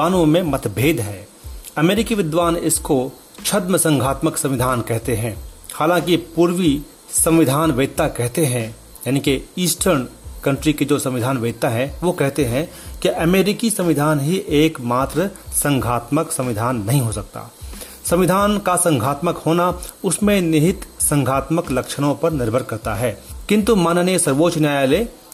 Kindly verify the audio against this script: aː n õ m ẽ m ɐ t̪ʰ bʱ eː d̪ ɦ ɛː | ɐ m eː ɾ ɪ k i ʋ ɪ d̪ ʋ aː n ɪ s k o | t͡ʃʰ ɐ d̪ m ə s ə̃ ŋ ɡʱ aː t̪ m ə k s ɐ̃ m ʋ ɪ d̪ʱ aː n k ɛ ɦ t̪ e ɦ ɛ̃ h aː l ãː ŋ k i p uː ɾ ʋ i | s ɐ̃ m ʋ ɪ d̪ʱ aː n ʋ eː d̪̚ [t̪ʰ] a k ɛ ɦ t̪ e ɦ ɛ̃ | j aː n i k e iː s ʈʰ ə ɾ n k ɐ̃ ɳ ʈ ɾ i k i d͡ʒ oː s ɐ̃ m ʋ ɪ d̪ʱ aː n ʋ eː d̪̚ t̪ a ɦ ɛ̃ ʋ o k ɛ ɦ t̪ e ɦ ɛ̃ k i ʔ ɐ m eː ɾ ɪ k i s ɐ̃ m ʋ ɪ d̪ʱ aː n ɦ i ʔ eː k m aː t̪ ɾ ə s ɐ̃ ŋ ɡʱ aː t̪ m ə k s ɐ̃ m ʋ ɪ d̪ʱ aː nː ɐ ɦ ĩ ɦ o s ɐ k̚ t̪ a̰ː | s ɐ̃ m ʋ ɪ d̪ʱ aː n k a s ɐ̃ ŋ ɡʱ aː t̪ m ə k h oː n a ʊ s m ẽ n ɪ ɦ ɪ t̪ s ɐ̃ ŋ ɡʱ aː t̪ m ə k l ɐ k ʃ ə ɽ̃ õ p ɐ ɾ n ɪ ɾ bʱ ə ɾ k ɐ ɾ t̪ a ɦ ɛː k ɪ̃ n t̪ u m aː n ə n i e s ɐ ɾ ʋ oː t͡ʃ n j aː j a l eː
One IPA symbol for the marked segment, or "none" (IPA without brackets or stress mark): t̪